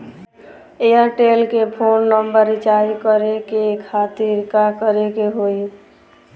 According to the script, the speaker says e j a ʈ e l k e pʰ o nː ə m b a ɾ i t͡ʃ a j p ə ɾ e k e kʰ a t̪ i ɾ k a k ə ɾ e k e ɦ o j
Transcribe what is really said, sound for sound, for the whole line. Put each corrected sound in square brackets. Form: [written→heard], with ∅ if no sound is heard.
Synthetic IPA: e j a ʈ e l k e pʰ o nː ə m b [a→ə] ɾ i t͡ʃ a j [p→k] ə ɾ e k e kʰ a t̪ i ɾ k a k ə ɾ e k e ɦ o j